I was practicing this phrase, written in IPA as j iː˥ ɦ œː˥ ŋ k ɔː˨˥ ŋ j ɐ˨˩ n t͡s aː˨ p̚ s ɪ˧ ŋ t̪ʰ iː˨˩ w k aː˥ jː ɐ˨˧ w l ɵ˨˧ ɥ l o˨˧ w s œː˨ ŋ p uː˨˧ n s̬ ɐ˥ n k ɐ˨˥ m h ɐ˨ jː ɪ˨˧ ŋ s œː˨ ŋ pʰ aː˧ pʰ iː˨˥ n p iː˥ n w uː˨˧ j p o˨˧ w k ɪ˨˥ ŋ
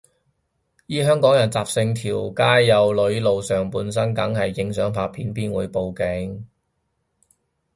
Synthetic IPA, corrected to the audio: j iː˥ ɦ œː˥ ŋ k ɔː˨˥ ŋ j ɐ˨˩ n t͡s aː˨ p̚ s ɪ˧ ŋ t̪ʰ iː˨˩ w k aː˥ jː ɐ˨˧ w l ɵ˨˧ ɥ l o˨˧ w s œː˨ ŋ p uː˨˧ n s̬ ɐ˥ n k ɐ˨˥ ŋ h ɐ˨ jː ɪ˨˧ ŋ s œː˨˥ ŋ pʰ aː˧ pʰ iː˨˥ n p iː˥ n w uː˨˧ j p o˨˧ w k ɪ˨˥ ŋ